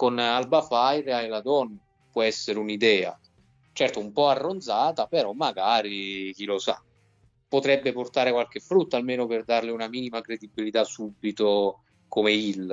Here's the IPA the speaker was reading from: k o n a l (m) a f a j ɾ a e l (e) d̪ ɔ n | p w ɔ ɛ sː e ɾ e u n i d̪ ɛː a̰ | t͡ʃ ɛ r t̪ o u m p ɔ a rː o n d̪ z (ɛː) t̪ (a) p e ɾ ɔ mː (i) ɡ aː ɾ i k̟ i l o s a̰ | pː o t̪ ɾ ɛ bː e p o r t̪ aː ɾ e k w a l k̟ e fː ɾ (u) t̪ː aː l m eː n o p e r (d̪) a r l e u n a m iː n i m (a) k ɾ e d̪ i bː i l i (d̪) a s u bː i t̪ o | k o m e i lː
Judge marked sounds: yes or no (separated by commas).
no, no, no, yes, no, yes, yes, yes, no